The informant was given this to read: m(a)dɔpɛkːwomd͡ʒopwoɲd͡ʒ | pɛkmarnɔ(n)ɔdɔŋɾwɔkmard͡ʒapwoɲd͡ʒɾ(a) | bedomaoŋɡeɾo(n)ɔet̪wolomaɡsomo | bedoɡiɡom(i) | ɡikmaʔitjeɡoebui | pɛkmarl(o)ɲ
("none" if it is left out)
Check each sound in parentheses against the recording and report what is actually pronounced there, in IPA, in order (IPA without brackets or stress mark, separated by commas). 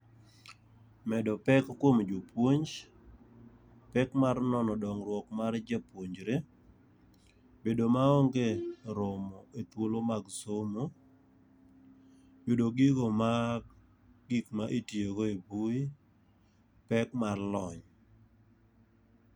ɛ, n, e, m, a, ɔ